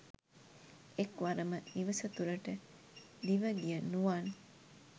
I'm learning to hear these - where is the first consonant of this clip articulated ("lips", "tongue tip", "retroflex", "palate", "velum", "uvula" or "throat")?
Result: velum